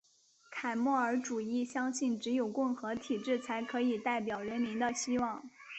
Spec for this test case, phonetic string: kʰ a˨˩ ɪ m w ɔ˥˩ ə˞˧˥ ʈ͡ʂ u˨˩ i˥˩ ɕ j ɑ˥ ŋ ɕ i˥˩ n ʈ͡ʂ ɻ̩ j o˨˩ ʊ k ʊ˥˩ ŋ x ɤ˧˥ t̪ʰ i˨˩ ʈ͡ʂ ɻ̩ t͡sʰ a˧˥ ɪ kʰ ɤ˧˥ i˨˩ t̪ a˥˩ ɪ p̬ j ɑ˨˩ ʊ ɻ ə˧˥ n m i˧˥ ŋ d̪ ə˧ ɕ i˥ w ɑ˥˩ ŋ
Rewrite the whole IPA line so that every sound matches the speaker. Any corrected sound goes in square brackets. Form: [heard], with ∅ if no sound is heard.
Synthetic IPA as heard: kʰ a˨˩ ɪ m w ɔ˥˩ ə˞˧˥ ʈ͡ʂ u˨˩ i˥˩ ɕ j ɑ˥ ŋ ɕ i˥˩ n ʈ͡ʂ ɻ̩ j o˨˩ ʊ k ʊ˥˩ ŋ x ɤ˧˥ t̪ʰ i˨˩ ʈ͡ʂ ɻ̩ t͡sʰ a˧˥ ɪ kʰ ɤ˧˥ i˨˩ t̪ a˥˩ ɪ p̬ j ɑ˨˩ ʊ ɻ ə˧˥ n m i˧˥ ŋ d̪ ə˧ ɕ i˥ w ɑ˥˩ ŋ